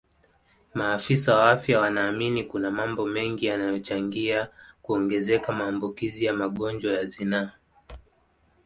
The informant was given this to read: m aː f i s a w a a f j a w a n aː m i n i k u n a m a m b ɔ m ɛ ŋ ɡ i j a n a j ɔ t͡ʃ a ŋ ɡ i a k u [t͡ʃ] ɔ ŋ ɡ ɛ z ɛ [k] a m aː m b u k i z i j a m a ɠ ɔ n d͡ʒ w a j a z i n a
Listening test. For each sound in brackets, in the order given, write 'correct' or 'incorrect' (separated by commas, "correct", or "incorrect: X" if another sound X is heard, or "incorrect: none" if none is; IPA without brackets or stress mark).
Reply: incorrect: none, correct